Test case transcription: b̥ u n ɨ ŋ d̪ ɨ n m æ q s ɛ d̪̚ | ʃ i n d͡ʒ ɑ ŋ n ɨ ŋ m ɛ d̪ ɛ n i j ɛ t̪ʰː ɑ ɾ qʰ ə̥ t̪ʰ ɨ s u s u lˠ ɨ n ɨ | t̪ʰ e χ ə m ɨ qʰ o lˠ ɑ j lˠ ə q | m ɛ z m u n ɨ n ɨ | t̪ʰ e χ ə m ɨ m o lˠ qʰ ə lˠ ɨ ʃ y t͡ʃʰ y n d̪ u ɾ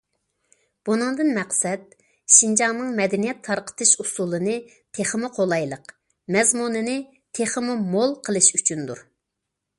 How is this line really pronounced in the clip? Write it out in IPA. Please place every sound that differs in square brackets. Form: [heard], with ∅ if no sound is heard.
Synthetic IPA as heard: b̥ u n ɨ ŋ d̪ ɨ n m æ q s ɛ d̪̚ | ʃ i n d͡ʒ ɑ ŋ n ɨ ŋ m ɛ d̪ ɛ n i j ɛ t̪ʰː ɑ ɾ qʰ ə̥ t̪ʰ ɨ [ʃ] u s u lˠ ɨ n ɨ | t̪ʰ e χ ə m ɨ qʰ o lˠ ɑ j lˠ ə q | m ɛ z m u n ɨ n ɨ | t̪ʰ e χ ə m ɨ m o lˠ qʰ ə lˠ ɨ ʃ y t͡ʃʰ y n d̪ u ɾ